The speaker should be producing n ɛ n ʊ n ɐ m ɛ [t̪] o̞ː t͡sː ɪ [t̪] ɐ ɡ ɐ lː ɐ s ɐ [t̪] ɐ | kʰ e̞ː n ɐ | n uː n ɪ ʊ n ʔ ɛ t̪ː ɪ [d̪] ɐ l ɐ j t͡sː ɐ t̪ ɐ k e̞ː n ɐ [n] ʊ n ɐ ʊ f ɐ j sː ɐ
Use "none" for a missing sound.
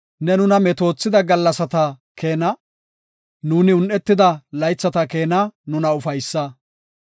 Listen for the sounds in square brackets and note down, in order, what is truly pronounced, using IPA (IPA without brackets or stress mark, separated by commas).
t̪, d̪, t̪, d̪, n